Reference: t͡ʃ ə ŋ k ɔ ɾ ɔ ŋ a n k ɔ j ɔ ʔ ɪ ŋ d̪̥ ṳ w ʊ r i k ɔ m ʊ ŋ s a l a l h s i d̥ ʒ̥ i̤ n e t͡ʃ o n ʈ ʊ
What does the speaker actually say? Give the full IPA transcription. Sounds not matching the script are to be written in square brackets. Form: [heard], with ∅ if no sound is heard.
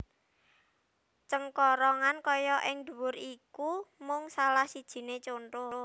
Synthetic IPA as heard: t͡ʃ ə ŋ k ɔ ɾ ɔ ŋ a n k ɔ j ɔ ʔ ɪ ŋ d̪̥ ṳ w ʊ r i k [u] m ʊ ŋ s a l a [∅] h s i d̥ ʒ̥ i̤ n e t͡ʃ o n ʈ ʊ